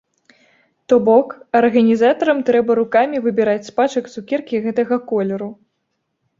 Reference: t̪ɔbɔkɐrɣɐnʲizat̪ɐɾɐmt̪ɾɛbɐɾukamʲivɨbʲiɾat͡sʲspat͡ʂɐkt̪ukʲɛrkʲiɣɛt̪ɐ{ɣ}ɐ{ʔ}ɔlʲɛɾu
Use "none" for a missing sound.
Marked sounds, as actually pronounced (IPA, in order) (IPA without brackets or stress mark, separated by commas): ɣ, k